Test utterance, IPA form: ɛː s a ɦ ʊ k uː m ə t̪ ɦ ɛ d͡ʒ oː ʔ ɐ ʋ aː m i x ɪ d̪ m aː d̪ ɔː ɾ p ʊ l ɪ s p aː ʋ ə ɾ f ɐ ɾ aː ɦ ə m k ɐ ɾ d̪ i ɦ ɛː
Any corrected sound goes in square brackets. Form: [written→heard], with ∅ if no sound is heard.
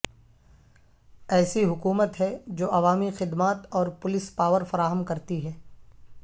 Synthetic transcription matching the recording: ɛː s [a→i] ɦ ʊ k uː m ə t̪ ɦ ɛ d͡ʒ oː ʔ ɐ ʋ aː m i x ɪ d̪ m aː [d̪→t̪] ɔː ɾ p ʊ l ɪ s p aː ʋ ə ɾ f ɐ ɾ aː ɦ ə m k ɐ ɾ [d̪→t̪] i ɦ ɛː

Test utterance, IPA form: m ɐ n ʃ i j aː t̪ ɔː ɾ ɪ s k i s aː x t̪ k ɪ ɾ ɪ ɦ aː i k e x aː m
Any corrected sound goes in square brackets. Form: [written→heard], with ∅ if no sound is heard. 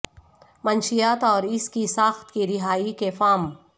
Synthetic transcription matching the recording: m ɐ n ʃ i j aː t̪ ɔː ɾ ɪ s k i s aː x t̪ k [ɪ→i] ɾ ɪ ɦ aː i k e [x→f] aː m

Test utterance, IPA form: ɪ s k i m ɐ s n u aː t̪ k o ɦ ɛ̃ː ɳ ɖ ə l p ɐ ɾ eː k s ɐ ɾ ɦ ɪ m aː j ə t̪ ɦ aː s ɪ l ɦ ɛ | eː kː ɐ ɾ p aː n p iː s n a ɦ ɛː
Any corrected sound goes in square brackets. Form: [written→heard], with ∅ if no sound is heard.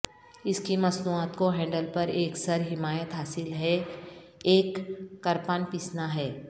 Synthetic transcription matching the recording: ɪ s k i m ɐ s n u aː t̪ k o ɦ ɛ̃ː ɳ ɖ ə l p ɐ ɾ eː k s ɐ ɾ ɦ ɪ m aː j ə t̪ ɦ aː s ɪ l ɦ ɛ | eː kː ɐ ɾ p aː n p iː s n a ɦ ɛː

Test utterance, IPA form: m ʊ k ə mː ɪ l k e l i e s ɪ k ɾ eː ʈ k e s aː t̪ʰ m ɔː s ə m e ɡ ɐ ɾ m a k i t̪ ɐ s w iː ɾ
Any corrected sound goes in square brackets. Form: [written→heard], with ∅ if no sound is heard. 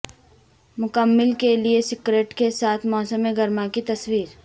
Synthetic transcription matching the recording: m ʊ k ə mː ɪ l k e l i e s ɪ k ɾ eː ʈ k e s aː t̪ʰ m ɔː s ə m e ɡ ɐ ɾ m a k i t̪ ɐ s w iː ɾ

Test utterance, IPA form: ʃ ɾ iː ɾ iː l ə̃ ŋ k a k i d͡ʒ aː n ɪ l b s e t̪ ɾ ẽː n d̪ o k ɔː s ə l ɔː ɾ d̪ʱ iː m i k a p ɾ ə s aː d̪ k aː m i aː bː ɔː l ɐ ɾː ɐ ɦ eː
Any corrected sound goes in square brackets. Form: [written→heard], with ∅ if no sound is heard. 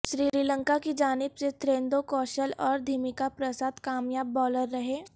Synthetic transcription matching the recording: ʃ ɾ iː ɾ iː l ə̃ ŋ k a k i d͡ʒ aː n ɪ [l→∅] b s e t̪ ɾ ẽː n d̪ o k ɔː [s→ʃ] ə l ɔː ɾ d̪ʱ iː m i k a p ɾ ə s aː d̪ k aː m [i→j] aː bː ɔː l [ɐ→ə] ɾː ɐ ɦ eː

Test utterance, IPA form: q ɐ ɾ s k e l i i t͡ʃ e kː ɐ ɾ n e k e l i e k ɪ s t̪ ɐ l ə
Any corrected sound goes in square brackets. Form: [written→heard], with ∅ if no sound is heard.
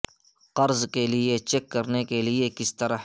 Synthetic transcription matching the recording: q ɐ ɾ [s→z] k e l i [i→e] t͡ʃ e kː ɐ ɾ n e k e l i e k ɪ s t̪ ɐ [l→ɾ] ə

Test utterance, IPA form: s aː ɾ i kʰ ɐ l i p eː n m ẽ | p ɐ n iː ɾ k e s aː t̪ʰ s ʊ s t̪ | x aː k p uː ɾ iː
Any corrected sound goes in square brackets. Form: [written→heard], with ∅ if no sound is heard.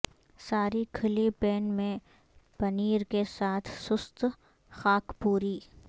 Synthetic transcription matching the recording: s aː ɾ i kʰ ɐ l i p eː n m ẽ | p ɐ n iː ɾ k e s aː t̪ʰ s ʊ s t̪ | x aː k p uː ɾ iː

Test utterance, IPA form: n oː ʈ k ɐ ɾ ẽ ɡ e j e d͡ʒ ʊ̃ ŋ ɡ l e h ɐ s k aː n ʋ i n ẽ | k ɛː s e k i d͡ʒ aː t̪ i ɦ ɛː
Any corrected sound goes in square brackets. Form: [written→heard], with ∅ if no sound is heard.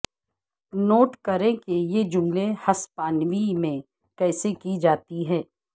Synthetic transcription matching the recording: n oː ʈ k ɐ ɾ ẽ [ɡ→k] e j e d͡ʒ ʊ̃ ŋ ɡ l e h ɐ s [k→p] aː n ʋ i [n→m] ẽ | k ɛː s e k i d͡ʒ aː t̪ i ɦ ɛː

